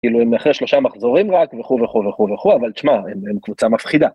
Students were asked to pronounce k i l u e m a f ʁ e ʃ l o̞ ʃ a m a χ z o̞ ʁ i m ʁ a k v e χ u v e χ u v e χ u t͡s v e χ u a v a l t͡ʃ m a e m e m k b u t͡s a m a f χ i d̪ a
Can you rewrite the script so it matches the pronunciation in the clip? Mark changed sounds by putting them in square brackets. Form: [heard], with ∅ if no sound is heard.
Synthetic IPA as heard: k i l u e m a [χ] ʁ e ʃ l o̞ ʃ a m a χ z o̞ ʁ i m ʁ a k v e χ u v e χ u v e χ u [∅] v e χ u a v a l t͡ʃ m a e m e m k [v] u t͡s a m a f χ i d̪ a